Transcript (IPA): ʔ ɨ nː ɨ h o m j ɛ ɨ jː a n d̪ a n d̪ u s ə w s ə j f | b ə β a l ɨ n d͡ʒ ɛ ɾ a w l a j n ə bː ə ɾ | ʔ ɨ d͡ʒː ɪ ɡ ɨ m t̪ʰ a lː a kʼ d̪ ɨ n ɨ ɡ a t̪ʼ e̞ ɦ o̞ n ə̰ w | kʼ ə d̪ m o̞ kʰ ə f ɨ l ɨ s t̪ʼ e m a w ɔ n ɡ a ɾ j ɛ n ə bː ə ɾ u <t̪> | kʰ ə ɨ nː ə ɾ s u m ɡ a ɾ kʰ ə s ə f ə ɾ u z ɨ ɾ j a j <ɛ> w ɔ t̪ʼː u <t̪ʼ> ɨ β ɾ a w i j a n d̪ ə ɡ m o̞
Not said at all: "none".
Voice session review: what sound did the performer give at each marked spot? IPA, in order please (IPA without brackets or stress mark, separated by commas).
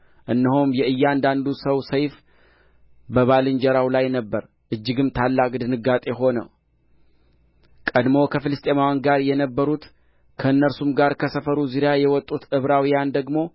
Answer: t̪, ɛ, t̪